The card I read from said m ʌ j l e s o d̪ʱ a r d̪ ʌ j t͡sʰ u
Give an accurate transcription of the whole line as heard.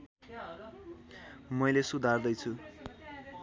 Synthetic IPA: m ʌ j l e s u d̪ʱ a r d̪ ʌ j t͡sʰ u